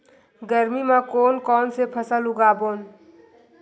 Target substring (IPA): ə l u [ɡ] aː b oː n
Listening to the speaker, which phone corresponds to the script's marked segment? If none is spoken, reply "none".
ɡ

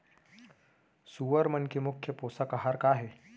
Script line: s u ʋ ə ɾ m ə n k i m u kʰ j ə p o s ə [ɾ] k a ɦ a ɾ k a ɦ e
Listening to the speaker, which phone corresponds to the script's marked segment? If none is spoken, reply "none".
none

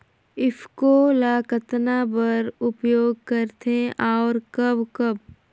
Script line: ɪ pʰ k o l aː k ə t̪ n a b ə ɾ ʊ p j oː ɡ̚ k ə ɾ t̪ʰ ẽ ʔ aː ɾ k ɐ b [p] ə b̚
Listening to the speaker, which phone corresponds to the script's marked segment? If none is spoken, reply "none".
k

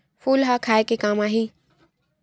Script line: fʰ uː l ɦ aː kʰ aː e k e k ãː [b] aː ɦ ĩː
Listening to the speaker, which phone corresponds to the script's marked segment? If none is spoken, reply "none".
m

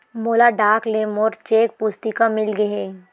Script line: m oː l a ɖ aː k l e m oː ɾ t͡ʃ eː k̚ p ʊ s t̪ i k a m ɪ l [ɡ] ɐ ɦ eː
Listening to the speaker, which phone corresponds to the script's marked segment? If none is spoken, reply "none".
ɡ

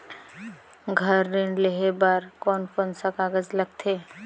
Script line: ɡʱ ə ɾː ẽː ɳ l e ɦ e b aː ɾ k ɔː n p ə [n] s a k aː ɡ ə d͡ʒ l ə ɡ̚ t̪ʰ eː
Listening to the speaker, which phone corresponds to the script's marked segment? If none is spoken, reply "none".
n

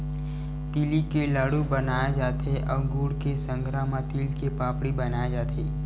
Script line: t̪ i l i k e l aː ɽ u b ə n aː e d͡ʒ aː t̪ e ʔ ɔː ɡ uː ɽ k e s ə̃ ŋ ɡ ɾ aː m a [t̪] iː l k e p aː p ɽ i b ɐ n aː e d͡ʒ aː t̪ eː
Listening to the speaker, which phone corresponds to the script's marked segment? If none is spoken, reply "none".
t̪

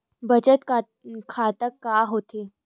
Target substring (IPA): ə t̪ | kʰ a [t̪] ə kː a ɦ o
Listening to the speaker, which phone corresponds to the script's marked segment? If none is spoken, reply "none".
t̪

